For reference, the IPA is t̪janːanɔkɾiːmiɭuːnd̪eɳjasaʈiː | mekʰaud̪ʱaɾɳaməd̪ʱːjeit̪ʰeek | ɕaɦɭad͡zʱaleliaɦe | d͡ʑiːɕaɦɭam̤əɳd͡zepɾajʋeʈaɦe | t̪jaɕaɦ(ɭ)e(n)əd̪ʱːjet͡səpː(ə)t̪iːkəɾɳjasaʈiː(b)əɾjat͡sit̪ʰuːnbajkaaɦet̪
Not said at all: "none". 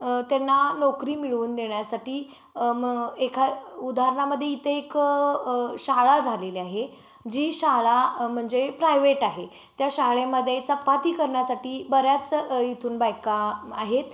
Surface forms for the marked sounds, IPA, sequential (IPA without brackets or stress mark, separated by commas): ɭ, m, a, b